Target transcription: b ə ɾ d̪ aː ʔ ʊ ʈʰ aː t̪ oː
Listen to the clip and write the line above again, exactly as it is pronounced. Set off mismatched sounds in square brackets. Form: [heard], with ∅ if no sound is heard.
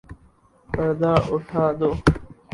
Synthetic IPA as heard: [p] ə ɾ d̪ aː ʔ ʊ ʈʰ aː [d̪] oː